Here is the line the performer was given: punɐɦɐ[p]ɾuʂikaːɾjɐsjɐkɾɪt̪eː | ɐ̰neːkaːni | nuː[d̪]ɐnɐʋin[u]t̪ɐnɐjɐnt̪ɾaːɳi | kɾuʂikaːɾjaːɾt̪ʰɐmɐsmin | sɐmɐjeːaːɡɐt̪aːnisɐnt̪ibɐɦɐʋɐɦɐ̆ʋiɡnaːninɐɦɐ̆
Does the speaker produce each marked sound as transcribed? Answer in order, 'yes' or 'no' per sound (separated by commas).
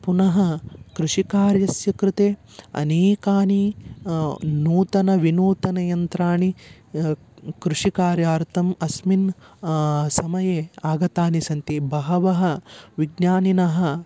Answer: no, no, no